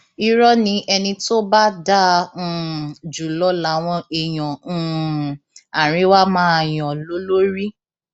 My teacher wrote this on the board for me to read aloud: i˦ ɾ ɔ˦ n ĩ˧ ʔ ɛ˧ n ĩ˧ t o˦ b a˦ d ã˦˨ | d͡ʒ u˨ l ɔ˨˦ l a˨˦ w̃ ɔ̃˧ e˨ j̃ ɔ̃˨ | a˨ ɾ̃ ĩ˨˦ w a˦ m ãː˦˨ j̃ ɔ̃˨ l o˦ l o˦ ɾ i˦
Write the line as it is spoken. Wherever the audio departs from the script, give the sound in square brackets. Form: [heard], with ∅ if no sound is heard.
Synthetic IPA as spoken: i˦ ɾ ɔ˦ n ĩ˧ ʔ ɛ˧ n ĩ˧ t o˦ b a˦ d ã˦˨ | d͡ʒ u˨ l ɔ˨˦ l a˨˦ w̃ ɔ̃˧ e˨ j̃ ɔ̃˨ | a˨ ɾ̃ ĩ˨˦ w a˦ m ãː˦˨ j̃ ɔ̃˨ l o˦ l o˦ ɾ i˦